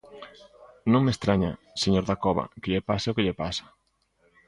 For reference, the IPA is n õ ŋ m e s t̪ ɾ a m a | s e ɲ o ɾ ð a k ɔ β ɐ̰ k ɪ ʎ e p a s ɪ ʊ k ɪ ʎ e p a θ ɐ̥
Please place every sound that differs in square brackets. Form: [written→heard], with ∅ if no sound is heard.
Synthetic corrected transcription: n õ ŋ m e s t̪ ɾ a [m→ɲ] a | s e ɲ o ɾ ð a k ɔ β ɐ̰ k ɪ ʎ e p a s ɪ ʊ k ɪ ʎ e p a [θ→s] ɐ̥